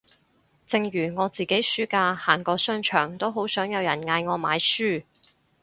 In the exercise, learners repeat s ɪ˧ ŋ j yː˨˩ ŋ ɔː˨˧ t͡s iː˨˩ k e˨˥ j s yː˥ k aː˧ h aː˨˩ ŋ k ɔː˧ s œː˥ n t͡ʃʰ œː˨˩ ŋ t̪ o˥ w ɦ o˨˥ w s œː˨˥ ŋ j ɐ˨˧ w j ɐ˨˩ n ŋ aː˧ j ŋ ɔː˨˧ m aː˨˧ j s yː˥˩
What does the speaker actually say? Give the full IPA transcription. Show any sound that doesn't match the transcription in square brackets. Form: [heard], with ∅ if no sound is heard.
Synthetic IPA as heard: [t͡s] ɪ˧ ŋ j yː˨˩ ŋ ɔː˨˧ t͡s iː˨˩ k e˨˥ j s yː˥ k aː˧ h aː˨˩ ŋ k ɔː˧ s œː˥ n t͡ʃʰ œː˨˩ ŋ t̪ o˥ w ɦ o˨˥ w s œː˨˥ ŋ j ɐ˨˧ w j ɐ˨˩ n ŋ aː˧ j ŋ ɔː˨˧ m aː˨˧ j s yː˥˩